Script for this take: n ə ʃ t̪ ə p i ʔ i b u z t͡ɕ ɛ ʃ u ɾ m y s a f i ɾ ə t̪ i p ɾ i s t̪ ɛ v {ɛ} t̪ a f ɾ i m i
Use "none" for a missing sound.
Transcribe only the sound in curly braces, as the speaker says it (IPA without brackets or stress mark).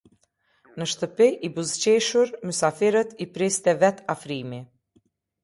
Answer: ɛ